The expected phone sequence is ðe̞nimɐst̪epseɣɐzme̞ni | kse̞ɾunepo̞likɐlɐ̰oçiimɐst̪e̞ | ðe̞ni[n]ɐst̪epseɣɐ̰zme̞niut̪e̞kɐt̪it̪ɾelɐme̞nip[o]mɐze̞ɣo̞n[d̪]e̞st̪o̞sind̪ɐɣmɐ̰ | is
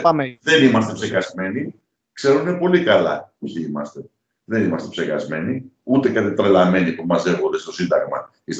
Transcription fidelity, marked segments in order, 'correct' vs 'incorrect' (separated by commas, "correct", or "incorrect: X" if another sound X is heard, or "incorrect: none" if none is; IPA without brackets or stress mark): incorrect: m, incorrect: u, correct